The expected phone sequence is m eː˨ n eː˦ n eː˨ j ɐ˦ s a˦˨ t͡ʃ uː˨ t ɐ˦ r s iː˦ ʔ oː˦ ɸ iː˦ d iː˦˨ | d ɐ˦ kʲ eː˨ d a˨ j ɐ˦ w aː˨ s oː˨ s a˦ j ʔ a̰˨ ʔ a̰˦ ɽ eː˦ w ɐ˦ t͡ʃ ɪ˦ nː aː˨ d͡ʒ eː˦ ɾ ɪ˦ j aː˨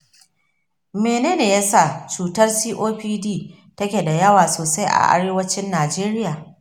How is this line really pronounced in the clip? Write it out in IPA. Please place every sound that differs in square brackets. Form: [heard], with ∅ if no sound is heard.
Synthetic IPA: m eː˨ n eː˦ n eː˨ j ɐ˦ s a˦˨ t͡ʃ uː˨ t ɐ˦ r s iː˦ ʔ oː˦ ɸ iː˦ d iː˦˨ | [t] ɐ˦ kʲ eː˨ d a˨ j ɐ˦ w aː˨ s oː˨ s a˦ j ʔ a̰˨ ʔ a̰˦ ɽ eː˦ w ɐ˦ t͡ʃ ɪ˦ nː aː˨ d͡ʒ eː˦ ɾ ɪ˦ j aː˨